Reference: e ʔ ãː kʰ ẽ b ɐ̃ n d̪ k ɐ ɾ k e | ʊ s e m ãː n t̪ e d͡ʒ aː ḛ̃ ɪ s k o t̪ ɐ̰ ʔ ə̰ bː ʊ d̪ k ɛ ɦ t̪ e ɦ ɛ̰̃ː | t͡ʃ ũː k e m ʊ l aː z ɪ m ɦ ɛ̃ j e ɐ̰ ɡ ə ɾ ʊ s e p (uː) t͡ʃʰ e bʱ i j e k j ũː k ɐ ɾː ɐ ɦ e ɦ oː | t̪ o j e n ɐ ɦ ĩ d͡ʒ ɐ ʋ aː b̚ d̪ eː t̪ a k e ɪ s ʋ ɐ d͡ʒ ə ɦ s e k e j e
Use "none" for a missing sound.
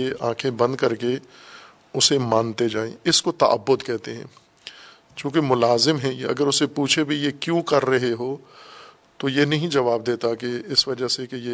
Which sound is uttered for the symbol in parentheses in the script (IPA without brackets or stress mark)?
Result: uː